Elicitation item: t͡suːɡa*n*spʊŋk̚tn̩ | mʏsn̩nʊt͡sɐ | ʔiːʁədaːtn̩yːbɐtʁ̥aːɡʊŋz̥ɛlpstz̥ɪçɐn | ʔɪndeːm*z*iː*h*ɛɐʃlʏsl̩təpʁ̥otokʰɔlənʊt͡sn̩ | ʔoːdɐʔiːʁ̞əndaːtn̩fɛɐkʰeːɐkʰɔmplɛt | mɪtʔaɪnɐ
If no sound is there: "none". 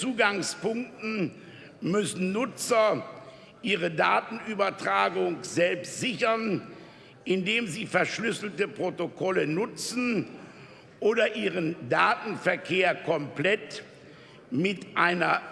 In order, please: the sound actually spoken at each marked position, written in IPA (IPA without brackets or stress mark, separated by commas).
ŋ, z, f